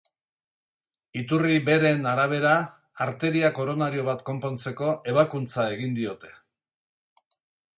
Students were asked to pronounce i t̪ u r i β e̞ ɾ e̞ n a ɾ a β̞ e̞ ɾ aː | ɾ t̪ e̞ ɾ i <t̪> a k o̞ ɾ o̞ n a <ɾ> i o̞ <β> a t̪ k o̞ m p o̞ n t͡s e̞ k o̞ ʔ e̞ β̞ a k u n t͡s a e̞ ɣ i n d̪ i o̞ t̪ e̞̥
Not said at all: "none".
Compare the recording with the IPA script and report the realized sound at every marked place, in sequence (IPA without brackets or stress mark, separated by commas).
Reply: none, ɾ, β